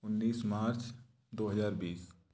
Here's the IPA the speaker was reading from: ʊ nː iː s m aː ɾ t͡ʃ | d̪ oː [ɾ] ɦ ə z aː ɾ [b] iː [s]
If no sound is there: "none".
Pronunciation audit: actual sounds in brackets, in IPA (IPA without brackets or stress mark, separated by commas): none, b, s